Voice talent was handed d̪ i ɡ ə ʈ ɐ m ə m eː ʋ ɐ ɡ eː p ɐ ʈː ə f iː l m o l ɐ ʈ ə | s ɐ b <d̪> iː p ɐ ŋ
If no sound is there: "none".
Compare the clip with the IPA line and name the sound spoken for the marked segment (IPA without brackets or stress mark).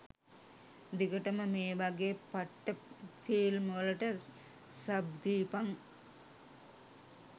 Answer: d̪